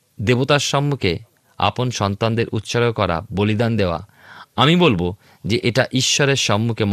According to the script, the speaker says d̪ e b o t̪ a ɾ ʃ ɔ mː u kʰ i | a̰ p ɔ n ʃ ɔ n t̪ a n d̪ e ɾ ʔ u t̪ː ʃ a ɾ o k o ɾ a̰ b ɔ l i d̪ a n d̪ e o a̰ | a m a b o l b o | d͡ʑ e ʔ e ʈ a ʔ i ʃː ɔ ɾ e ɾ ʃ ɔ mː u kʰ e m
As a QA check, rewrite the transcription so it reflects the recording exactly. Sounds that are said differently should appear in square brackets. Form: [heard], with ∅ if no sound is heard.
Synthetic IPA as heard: d̪ e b o t̪ a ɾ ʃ ɔ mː u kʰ [e] | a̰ p [o] n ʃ ɔ n t̪ a n d̪ e ɾ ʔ u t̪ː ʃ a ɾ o k [ɔ] ɾ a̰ b [o] l i d̪ a n d̪ e o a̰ | a m [i] b o l b o | d͡ʑ e ʔ e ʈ a ʔ i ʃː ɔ ɾ e ɾ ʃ ɔ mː u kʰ e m